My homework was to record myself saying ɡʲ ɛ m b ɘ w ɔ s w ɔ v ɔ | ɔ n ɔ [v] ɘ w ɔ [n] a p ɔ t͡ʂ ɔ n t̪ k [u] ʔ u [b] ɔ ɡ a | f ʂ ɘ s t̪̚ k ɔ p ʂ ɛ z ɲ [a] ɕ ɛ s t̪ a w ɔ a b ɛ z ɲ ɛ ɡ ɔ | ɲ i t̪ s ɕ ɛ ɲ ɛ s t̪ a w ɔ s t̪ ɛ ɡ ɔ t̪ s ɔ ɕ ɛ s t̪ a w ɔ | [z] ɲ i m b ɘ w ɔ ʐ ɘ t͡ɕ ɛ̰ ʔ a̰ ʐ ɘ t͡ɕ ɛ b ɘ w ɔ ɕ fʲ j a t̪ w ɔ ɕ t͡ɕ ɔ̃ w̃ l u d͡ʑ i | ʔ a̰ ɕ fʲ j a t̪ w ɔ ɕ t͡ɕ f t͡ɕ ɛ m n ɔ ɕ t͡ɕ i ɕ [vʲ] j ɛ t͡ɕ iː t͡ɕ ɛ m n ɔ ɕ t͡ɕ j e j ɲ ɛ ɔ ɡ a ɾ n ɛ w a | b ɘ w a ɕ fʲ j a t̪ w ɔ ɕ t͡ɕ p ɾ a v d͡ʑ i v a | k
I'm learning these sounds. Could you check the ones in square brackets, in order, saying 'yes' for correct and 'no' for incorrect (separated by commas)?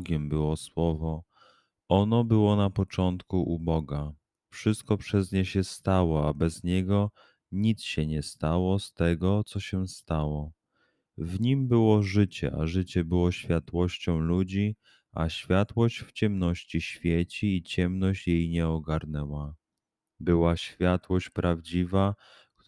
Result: no, yes, yes, yes, no, no, no